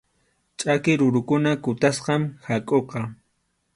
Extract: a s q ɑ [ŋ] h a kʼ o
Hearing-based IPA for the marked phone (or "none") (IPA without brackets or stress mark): m